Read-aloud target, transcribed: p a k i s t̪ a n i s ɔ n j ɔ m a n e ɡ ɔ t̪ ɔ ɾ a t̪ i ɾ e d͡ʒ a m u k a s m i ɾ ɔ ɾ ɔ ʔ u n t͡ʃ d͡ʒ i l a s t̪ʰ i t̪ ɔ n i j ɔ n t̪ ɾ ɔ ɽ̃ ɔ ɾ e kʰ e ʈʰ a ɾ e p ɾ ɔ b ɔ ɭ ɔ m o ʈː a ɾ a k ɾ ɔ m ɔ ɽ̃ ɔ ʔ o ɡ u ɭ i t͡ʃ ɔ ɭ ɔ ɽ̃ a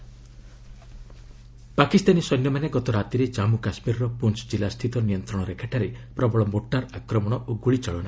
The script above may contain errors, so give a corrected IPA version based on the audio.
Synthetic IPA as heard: p a k i s t̪ a n i s ɔ n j ɔ m a n e ɡ ɔ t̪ ɔ ɾ a t̪ i ɾ e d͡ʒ a m u k a s m i ɾ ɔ ɾ ɔ p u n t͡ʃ d͡ʒ i l a s t̪ʰ i t̪ ɔ n i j ɔ n t̪ ɾ ɔ ɽ̃ ɔ ɾ e kʰ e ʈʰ a ɾ e p ɾ ɔ b ɔ ɭ ɔ m o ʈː a ɾ a k ɾ ɔ m ɔ ɽ̃ ɔ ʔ o ɡ u ɭ i t͡ʃ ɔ ɭ ɔ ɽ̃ a